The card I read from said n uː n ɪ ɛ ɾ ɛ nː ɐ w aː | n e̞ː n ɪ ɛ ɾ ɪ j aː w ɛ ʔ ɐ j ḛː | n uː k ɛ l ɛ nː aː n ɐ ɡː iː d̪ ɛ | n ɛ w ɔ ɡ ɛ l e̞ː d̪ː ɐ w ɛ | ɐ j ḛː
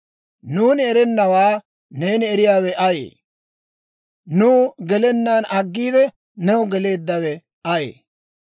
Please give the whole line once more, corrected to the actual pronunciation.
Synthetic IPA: n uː n ɪ ɛ ɾ ɛ nː ɐ w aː | n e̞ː n ɪ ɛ ɾ ɪ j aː w ɛ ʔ ɐ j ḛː | n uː ɡ ɛ l ɛ nː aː n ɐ ɡː iː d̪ ɛ | n ɛ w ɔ ɡ ɛ l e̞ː d̪ː ɐ w ɛ | ɐ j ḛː